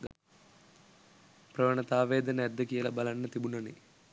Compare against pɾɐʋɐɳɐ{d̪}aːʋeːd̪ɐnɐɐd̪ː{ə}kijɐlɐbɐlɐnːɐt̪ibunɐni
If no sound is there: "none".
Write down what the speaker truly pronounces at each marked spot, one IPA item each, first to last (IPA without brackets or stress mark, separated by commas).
t̪, ɐ